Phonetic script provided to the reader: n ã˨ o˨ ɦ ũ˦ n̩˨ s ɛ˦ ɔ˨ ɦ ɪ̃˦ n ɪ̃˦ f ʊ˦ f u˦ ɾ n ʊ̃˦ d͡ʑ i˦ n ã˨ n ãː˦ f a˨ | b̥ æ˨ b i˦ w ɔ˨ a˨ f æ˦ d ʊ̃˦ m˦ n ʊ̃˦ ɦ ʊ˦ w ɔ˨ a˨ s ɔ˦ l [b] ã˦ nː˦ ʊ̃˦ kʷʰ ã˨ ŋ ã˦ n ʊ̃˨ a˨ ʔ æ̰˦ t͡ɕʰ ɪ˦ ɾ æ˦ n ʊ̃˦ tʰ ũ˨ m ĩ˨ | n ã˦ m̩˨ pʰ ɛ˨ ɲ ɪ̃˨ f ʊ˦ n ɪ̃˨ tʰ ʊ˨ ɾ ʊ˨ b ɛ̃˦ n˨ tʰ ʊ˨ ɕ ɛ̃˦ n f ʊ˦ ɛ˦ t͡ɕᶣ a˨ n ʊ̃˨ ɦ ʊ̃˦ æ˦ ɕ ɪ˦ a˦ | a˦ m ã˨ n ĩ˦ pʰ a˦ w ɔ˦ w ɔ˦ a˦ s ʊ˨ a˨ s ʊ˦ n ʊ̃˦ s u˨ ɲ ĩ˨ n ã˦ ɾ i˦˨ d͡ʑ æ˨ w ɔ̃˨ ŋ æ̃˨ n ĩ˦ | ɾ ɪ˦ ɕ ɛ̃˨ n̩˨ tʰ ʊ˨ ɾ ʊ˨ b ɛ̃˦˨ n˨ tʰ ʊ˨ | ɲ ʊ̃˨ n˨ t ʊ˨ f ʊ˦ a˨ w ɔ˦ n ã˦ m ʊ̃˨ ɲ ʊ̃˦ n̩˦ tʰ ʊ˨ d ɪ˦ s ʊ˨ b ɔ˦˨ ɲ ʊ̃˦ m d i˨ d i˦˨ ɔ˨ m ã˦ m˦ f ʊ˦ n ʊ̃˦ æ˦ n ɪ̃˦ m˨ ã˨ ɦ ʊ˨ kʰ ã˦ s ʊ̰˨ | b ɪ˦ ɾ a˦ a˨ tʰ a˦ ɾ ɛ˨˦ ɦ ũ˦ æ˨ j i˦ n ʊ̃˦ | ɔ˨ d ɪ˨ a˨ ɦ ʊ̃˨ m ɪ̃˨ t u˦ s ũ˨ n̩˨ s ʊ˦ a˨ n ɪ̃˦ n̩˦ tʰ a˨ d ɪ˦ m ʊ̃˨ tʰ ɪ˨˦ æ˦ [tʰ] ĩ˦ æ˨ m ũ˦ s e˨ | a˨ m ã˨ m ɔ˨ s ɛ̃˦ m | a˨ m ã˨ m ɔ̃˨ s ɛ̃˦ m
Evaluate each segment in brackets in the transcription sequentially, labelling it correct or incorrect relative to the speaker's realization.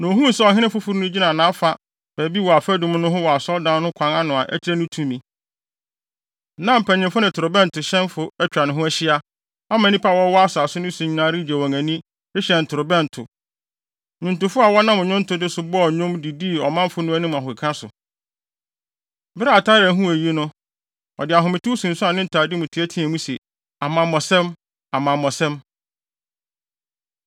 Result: incorrect: d, correct

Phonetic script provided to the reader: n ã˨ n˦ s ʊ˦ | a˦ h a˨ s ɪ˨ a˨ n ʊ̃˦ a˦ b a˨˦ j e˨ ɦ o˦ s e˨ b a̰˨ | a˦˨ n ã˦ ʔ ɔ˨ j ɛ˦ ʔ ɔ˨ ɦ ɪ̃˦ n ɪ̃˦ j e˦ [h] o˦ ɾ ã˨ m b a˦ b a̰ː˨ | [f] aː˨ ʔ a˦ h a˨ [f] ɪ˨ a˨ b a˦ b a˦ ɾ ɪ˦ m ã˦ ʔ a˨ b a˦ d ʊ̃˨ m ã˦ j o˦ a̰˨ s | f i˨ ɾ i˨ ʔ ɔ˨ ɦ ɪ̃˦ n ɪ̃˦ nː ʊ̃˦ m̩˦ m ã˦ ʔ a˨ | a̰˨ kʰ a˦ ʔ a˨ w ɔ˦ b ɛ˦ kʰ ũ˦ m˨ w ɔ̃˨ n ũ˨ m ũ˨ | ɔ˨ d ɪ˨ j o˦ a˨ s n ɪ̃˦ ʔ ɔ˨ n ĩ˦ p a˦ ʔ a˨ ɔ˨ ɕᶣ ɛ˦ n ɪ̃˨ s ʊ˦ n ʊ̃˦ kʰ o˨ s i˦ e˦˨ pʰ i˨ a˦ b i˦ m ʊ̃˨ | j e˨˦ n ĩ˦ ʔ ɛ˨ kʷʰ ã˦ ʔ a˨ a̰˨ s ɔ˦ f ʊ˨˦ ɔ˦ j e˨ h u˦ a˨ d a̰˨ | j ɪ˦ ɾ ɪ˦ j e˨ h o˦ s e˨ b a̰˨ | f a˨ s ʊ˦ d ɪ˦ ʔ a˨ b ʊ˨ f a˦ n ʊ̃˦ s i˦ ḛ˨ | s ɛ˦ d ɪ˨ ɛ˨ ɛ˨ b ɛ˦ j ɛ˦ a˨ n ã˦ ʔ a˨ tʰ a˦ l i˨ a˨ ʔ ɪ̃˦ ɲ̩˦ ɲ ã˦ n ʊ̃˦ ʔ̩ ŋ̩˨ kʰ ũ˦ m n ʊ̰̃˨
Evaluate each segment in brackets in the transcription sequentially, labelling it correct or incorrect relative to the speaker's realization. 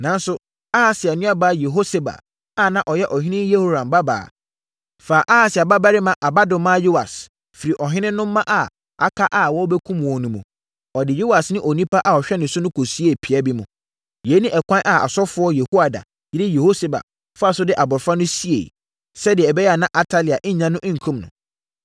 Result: correct, correct, incorrect: s

